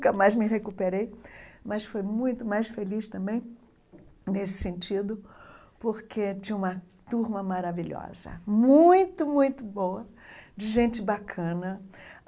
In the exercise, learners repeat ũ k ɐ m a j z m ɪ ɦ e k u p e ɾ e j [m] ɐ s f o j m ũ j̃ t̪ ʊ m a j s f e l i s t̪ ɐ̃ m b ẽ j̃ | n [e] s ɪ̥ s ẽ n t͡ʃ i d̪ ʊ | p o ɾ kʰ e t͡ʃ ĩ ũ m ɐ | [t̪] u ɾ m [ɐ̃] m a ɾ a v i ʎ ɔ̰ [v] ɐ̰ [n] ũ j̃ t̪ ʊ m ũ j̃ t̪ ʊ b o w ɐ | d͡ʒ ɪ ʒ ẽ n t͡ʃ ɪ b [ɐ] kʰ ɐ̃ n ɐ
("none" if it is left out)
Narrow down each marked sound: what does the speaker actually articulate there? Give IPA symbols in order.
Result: m, e, t̪, ɐ, z, m, a

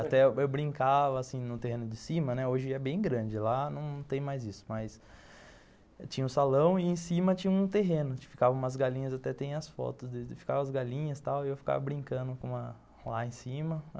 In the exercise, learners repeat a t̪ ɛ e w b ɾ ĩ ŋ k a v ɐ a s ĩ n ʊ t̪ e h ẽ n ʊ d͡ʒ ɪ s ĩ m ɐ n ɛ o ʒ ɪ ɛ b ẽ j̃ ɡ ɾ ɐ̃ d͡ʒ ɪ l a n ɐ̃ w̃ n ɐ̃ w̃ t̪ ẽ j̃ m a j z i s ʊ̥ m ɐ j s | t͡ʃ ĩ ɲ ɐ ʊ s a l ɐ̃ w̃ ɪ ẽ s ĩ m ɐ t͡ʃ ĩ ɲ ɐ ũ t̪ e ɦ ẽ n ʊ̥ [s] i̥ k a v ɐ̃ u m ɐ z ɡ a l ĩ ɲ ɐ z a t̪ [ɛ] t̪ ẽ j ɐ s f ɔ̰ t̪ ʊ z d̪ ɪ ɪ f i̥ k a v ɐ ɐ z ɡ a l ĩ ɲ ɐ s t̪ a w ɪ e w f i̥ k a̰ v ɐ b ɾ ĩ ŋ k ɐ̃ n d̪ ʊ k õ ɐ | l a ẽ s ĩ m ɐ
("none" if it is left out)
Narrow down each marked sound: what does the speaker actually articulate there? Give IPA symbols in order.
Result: f, ɛ

